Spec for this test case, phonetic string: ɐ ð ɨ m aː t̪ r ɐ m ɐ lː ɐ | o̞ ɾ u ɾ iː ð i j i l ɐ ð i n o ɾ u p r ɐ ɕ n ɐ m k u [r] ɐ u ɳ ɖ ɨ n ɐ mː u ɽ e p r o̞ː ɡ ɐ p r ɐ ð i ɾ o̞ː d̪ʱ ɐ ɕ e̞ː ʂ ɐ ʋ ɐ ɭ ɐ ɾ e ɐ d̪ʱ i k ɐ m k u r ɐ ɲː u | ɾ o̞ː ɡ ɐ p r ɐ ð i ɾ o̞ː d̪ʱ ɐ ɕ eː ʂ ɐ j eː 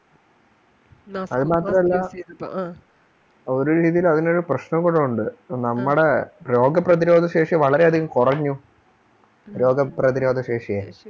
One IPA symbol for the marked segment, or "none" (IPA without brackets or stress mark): ɽ